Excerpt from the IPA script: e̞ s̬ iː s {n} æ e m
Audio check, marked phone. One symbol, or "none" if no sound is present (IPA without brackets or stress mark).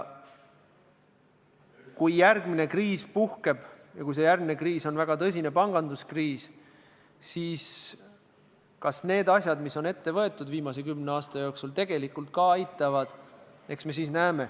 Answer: n